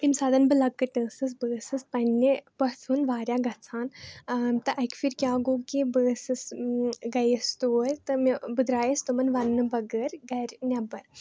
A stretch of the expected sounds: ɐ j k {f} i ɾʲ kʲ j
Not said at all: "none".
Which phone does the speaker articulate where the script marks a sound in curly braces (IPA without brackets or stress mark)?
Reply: f